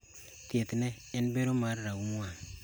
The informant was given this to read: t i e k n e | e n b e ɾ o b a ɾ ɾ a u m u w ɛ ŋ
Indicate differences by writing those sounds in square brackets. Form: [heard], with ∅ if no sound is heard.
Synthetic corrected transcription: t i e [t] n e | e n b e ɾ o [m] a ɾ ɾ a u m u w [a] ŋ